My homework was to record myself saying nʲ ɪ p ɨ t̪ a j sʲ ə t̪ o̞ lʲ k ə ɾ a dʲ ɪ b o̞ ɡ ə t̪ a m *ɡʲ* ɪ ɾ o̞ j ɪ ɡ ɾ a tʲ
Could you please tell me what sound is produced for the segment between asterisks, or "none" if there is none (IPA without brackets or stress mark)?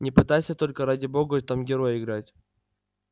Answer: ɡʲ